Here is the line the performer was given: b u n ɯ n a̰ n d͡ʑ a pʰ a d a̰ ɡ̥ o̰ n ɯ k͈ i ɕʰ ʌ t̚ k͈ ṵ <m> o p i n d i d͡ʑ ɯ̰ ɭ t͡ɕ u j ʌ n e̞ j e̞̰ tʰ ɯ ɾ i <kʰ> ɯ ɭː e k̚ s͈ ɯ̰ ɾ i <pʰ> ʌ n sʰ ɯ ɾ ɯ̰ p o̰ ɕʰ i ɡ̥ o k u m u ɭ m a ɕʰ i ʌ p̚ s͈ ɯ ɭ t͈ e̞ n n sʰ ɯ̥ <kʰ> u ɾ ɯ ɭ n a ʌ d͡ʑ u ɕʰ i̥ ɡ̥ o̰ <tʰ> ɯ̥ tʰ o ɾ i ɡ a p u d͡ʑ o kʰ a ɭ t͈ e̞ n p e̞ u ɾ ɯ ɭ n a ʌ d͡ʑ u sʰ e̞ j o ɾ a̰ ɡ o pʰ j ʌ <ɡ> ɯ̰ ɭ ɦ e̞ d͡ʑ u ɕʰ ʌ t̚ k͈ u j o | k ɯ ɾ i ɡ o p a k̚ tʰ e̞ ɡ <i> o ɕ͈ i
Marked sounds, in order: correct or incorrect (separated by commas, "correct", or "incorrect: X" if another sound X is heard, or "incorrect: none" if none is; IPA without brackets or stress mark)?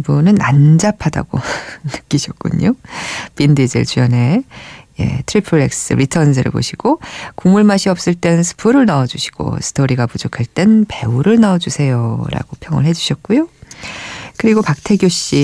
incorrect: ɲ, incorrect: pʰ, incorrect: tʰ, incorrect: pʰ, incorrect: sʰ, incorrect: ŋ, incorrect: j